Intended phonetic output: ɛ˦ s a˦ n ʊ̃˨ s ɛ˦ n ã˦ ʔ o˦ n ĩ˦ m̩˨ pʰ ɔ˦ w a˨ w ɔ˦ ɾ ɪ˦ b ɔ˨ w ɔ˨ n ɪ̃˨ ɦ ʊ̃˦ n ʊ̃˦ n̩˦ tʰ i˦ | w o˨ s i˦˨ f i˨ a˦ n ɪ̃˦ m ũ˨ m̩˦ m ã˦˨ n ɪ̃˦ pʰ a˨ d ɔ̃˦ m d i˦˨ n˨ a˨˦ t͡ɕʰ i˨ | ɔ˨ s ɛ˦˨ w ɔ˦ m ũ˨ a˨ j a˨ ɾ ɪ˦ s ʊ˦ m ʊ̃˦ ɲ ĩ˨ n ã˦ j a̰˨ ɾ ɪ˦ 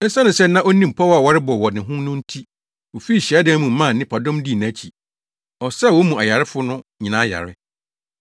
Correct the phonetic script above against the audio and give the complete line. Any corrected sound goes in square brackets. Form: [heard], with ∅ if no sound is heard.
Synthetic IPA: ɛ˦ s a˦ n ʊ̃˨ s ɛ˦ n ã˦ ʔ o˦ n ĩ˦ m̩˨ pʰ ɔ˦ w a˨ w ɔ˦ ɾ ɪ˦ b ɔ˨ w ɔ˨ n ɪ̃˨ ɦ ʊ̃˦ n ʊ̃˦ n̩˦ tʰ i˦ | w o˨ [f] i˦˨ [ɕ] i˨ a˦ [d] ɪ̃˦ m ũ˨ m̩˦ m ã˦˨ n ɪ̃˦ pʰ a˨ d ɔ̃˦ m d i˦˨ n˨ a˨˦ t͡ɕʰ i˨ | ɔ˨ s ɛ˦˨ w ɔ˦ m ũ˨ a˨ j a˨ ɾ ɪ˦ [f] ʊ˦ [n] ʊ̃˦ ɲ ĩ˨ n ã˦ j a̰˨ ɾ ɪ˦